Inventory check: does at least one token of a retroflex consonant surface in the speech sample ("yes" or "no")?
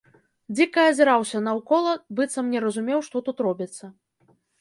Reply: yes